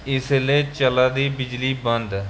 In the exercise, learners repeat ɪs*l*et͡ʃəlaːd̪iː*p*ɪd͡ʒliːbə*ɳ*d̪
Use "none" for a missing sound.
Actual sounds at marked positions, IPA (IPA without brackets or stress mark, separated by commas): l, b, n